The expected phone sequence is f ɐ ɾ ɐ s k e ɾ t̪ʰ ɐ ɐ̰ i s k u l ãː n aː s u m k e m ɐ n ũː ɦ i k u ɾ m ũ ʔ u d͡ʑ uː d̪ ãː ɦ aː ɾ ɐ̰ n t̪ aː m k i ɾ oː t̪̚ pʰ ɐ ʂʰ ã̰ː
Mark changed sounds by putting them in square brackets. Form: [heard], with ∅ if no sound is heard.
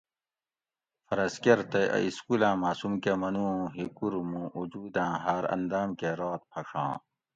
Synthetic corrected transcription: f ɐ ɾ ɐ s k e ɾ [t̪] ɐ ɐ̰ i s k u l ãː [m] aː s u m k e m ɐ n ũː ɦ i k u ɾ m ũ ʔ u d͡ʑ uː d̪ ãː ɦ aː ɾ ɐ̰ n [d̪] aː m k [e] ɾ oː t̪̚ pʰ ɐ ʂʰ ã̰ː

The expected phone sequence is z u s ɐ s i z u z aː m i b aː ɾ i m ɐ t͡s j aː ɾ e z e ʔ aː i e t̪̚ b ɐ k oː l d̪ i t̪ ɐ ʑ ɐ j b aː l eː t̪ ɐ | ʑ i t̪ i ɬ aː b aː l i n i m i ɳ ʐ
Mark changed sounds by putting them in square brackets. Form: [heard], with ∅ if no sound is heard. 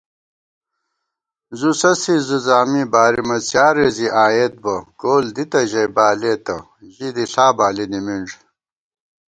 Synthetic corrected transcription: z u s ɐ s i z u z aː m i b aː ɾ i m ɐ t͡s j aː ɾ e z [i] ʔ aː [j] e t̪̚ b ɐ k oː l d̪ i t̪ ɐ ʑ ɐ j b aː l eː t̪ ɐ | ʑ i [d̪] i ɬ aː b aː l i n i m i ɳ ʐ

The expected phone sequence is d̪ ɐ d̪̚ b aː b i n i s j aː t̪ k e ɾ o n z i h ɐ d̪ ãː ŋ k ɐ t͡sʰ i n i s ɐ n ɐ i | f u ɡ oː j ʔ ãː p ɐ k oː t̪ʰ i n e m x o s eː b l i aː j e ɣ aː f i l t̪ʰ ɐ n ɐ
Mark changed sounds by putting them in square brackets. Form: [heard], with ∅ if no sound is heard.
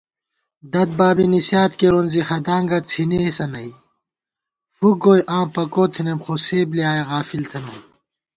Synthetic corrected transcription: d̪ ɐ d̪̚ b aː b i n i s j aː t̪ k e ɾ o n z i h ɐ d̪ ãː ŋ [ɡ] ɐ t͡sʰ i n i s ɐ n ɐ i | f u ɡ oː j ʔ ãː p ɐ k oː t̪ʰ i n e m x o s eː b l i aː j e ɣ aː f i l t̪ʰ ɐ n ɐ

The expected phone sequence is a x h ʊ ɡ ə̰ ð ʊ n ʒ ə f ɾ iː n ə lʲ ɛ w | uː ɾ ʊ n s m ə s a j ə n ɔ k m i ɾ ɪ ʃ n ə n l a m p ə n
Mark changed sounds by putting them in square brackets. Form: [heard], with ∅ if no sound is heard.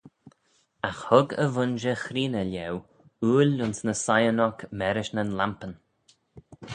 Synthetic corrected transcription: a x h ʊ ɡ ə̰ [v] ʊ n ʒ ə [x] ɾ iː n ə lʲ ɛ w | uː [l] ʊ n s [n] ə s a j ə n ɔ k m [ɛ] ɾ ɪ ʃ n ə n l a m p ə n

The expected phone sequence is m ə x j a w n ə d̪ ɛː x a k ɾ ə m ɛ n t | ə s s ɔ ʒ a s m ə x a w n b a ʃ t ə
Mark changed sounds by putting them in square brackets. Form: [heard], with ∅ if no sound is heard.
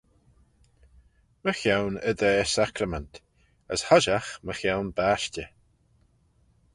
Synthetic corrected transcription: m ə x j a w n ə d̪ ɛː [s] a k ɾ ə m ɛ n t | ə s [h] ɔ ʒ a [x] m ə x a w n b a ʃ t ə

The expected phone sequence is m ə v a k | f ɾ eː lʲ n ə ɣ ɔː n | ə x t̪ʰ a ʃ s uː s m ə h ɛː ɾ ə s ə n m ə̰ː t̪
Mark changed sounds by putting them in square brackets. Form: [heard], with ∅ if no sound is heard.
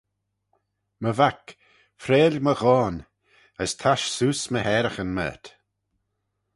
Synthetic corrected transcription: m ə v a k | f ɾ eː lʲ [m] ə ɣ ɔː n | ə [s] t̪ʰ a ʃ s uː s m ə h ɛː ɾ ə [x] ə n m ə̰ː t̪

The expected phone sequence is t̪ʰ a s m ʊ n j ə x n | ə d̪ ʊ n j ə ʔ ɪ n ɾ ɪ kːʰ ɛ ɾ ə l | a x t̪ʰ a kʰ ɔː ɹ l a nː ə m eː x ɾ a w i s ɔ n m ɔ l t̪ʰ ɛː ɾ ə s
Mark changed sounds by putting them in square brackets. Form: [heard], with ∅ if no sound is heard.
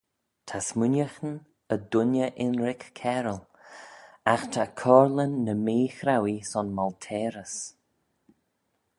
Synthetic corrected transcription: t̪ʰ a s m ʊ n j ə x n | ə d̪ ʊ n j ə ʔ ɪ n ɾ ɪ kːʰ ɛ ɾ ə l | a x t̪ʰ a kʰ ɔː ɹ l [ə] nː ə m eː x ɾ a w i s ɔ n m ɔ l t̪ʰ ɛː ɾ ə s

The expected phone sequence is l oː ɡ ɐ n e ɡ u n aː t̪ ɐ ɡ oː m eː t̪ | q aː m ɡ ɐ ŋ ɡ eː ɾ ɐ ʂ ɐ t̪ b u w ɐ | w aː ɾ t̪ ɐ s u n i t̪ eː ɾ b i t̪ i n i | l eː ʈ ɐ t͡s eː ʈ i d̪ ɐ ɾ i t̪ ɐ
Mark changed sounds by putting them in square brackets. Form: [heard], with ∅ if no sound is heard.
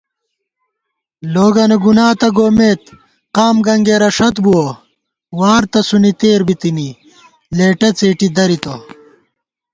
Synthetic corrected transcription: l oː ɡ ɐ n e ɡ u n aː t̪ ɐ ɡ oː m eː t̪ | q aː m ɡ ɐ ŋ ɡ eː ɾ ɐ ʂ ɐ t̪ b u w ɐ | w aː ɾ t̪ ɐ s u n i t̪ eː ɾ b i t̪ i n i | l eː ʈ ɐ t͡s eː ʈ i d̪ ɐ ɾ i t̪ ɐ

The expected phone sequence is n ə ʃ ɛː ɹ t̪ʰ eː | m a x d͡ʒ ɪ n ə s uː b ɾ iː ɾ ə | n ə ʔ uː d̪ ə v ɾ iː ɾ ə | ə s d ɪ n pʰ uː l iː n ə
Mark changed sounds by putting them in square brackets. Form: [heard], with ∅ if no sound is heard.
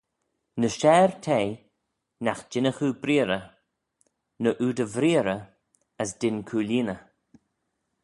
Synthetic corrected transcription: n ə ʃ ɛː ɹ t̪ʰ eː | [n] a x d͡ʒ ɪ n ə [x] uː b ɾ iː ɾ ə | n ə ʔ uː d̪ ə v ɾ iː ɾ ə | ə s d ɪ n [kʰ] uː l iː n ə

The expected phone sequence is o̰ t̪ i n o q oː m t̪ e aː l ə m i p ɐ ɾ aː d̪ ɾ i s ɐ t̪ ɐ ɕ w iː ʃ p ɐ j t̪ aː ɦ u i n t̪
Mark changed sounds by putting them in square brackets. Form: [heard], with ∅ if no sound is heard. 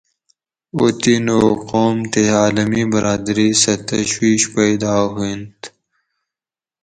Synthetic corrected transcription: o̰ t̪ i n o q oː m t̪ e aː l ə m i [b] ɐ ɾ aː d̪ ɾ i s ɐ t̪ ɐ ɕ w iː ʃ p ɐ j [d̪] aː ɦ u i n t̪

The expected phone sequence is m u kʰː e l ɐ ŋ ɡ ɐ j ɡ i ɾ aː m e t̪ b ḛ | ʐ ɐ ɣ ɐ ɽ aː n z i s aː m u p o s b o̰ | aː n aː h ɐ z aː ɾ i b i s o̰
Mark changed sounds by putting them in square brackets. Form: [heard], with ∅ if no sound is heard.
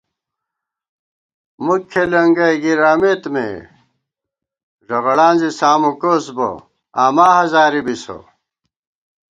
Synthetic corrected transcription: m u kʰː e l ɐ ŋ ɡ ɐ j ɡ i ɾ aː m e t̪ [m] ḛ | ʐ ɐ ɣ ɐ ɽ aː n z i s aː m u [k] o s b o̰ | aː [m] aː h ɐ z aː ɾ i b i s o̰

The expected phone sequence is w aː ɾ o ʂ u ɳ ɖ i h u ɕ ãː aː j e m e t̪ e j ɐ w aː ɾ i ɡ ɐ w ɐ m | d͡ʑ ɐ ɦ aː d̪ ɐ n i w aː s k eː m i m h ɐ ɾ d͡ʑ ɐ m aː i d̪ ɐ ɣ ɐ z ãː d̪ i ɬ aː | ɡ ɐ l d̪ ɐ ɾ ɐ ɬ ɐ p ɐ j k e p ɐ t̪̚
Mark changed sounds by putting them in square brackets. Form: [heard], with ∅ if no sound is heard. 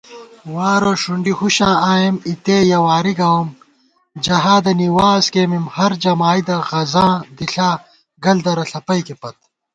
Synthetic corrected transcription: w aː ɾ o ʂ u ɳ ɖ i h u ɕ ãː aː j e m [i] t̪ e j ɐ w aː ɾ i ɡ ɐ w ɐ m | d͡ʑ ɐ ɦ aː d̪ ɐ n i w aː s k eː m i m h ɐ ɾ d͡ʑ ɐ m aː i d̪ ɐ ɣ ɐ z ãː d̪ i ɬ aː | ɡ ɐ l d̪ ɐ ɾ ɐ ɬ ɐ p ɐ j k e p ɐ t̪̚

